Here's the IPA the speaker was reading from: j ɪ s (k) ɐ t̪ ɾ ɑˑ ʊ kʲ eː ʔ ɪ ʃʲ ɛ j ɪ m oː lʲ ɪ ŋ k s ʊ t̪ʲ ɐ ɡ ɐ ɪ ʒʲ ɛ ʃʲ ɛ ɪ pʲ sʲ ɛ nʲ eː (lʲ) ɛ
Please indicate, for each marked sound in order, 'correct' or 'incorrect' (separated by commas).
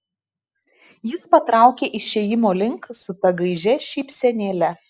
incorrect, correct